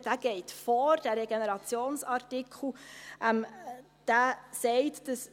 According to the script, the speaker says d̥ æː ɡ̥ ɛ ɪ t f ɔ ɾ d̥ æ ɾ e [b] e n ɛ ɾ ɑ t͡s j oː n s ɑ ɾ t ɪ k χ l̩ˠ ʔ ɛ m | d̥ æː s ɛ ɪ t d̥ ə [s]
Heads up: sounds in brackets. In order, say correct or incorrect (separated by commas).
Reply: incorrect, correct